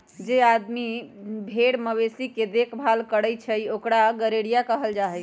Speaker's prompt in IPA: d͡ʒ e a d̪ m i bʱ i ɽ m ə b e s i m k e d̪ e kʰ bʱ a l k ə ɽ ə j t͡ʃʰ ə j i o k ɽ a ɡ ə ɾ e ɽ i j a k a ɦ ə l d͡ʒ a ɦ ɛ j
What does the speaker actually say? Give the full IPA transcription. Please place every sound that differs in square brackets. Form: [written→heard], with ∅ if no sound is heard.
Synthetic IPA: d͡ʒ e a d̪ m i bʱ [i→e] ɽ m ə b e s i [m→∅] k e d̪ e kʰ bʱ a l k ə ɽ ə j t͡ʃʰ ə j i o k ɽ a ɡ ə ɾ e ɽ i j a k [a→ə] ɦ ə l d͡ʒ a ɦ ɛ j

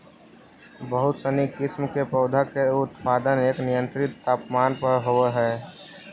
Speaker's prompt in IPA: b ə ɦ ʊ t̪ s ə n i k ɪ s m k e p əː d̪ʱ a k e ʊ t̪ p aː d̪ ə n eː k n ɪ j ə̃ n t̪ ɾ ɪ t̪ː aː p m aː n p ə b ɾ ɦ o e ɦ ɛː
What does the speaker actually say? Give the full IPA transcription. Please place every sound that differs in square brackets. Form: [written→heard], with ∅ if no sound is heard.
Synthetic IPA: b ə ɦ ʊ t̪ s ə n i k ɪ s m k e p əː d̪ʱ a k e ʊ t̪ p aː d̪ ə n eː k n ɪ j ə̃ n t̪ ɾ ɪ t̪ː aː p m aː n p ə [b→∅] ɾ ɦ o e ɦ ɛː

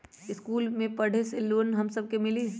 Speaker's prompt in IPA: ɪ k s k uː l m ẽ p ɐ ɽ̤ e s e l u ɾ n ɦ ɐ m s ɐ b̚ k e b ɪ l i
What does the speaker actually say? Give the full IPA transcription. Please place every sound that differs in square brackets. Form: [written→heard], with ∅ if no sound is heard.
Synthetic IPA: ɪ [k→∅] s k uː l m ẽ p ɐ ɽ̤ e s e l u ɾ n ɦ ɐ m s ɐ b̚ k e [b→m] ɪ l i

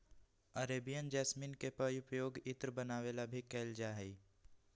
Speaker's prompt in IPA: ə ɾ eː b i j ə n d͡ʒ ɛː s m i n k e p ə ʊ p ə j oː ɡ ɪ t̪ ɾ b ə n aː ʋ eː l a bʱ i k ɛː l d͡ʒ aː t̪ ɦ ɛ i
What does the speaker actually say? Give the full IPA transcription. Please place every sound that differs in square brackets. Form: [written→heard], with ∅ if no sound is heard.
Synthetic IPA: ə ɾ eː b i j ə n d͡ʒ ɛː s m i n k e p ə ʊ p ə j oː ɡ ɪ t̪ ɾ b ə n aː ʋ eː l a bʱ i k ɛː l d͡ʒ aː [t̪→∅] ɦ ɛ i

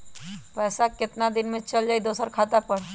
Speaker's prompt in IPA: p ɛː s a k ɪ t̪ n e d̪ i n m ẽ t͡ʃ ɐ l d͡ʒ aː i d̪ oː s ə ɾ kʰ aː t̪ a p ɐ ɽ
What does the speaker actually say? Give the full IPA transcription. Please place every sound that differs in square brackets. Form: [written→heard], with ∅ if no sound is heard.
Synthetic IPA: p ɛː s a k ɪ t̪ n [e→a] d̪ [i→ɪ] n m ẽ t͡ʃ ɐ l d͡ʒ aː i d̪ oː s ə ɾ kʰ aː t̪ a p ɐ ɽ

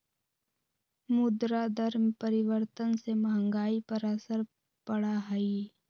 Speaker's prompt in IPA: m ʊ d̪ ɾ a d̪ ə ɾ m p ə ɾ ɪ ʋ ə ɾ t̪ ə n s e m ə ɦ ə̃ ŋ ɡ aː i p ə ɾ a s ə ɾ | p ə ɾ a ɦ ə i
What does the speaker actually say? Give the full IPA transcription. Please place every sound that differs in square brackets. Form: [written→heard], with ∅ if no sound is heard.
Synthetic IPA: m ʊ d̪ ɾ a d̪ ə ɾ m p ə ɾ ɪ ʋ ə ɾ t̪ ə n s e m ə ɦ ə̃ ŋ ɡ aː i p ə ɾ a s ə ɾ | p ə [ɾ→ɽ] a ɦ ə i

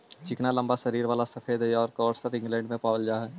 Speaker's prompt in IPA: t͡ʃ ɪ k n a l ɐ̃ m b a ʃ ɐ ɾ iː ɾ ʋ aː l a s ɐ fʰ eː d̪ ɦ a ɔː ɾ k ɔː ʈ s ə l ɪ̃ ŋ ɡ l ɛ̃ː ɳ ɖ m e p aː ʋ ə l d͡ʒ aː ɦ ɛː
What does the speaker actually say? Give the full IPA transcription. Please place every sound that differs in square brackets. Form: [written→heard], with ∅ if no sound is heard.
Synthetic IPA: t͡ʃ ɪ k n a l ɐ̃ m b a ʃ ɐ ɾ iː ɾ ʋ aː l a s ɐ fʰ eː d̪ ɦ [a→ɛ] ɔː ɾ k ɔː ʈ s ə [l→ɾ] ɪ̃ ŋ ɡ l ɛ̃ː ɳ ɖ m [e→ẽ] p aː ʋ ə l d͡ʒ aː ɦ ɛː

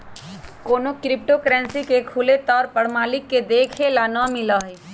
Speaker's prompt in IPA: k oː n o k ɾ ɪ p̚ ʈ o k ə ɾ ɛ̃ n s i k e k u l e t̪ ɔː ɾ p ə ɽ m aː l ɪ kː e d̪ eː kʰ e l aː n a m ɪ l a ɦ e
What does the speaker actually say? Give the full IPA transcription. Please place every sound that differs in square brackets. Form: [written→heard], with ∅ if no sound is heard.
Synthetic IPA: k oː n o k ɾ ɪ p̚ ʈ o k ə ɾ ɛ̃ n s i k e [k→kʰ] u l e t̪ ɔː ɾ p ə ɽ m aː l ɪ kː e d̪ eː kʰ e l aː n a m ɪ l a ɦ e

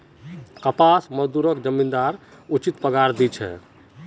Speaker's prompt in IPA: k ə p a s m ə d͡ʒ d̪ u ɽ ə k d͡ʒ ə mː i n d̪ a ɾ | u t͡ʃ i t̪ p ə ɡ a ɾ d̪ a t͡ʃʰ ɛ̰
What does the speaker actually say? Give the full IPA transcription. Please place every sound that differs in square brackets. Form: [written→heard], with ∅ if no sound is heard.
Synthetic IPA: k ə p a s m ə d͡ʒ d̪ u [ɽ→ɾ] ə k d͡ʒ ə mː i n d̪ a ɾ | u t͡ʃ i t̪ p ə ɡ a ɾ d̪ [a→i] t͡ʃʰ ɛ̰

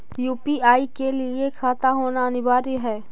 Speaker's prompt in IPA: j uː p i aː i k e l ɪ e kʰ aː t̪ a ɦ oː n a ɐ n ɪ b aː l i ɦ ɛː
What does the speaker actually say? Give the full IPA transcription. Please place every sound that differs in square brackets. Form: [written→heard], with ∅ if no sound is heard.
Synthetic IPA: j uː p i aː i k e l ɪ e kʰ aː t̪ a ɦ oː n a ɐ n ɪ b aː [l→ɾ] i ɦ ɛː

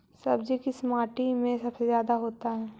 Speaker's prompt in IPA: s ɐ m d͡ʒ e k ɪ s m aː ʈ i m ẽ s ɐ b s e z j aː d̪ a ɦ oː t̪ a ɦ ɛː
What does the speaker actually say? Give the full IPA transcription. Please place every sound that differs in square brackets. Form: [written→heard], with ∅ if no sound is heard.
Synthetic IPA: s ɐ [m→b] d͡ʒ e k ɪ s m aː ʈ i m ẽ s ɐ b s e z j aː d̪ a ɦ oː t̪ a ɦ ɛː

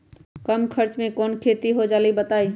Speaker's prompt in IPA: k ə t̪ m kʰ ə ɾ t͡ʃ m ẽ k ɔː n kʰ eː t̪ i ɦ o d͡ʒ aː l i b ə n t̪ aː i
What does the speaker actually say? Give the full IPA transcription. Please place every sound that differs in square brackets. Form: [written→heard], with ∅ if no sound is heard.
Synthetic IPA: k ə [t̪→∅] m kʰ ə ɾ t͡ʃ m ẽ k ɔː n kʰ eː t̪ i ɦ o d͡ʒ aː l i b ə [n→∅] t̪ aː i

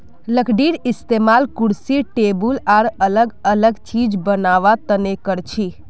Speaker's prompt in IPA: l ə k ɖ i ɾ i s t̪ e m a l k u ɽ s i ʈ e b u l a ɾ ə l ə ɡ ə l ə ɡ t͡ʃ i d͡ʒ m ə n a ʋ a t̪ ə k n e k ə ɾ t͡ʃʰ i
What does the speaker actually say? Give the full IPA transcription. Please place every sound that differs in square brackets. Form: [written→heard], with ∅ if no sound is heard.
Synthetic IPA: l ə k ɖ i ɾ i s t̪ e m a l k u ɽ s i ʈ e b u l a ɾ ə l ə ɡ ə l ə ɡ t͡ʃ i d͡ʒ [m→b] ə n a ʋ a t̪ ə [k→∅] n e k ə ɾ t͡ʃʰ i

